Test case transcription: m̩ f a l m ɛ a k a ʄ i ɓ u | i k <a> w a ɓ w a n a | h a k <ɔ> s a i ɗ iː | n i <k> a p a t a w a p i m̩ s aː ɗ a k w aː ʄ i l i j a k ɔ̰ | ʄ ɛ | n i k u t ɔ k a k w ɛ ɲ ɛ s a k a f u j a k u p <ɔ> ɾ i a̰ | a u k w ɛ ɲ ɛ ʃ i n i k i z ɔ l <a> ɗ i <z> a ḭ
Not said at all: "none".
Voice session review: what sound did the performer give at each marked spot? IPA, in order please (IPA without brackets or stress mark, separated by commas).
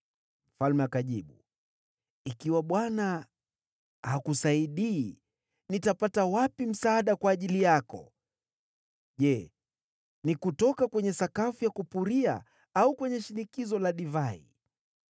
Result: i, u, t, u, a, v